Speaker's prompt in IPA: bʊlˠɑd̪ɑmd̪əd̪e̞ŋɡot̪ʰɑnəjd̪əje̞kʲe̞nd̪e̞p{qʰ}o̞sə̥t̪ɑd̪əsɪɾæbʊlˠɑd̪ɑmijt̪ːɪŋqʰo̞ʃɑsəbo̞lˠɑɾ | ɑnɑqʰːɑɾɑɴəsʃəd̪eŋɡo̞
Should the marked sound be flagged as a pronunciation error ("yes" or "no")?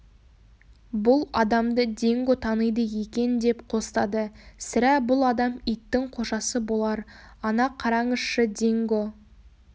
no